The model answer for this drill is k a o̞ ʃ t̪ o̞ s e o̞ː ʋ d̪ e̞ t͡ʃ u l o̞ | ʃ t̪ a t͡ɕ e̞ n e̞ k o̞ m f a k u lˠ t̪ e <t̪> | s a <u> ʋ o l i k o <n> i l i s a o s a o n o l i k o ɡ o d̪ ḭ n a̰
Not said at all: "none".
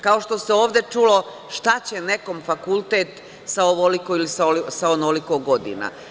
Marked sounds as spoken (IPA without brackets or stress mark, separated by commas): t̪, o, none